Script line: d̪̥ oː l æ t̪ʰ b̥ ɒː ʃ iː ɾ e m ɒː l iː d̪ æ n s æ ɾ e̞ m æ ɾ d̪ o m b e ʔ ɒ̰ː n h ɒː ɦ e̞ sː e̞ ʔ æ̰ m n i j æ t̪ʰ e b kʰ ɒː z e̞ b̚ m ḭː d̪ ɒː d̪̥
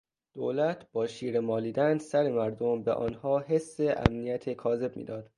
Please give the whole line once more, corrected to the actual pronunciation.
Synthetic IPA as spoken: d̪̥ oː l æ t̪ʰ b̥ ɒː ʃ iː ɾ e m ɒː l iː d̪ æ n s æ ɾ e̞ m æ ɾ d̪ o m b e ʔ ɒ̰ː n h ɒː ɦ e̞ sː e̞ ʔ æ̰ m n i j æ t̪ʰ e kʰ ɒː z e̞ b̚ m ḭː d̪ ɒː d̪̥